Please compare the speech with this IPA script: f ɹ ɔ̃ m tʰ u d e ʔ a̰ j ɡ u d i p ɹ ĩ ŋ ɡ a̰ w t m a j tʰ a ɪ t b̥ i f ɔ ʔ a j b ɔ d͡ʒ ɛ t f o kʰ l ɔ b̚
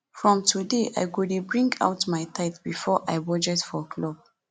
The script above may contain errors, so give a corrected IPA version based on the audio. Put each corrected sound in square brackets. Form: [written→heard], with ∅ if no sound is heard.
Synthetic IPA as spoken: f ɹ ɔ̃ m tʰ u d e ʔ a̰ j ɡ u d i [p→b] ɹ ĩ ŋ ɡ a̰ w t m a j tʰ a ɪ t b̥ i f ɔ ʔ a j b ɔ d͡ʒ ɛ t f [o→ɔ] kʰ l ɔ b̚